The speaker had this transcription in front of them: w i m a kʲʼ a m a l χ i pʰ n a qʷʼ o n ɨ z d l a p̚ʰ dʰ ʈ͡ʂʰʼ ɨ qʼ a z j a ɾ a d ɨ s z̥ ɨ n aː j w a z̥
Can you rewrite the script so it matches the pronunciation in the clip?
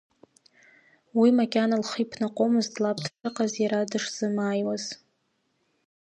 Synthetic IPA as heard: w i m a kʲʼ a n a l χ i pʰ n a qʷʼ o m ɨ z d l a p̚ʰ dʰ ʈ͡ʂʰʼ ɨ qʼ a z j a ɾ a d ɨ ʂ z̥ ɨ m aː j w a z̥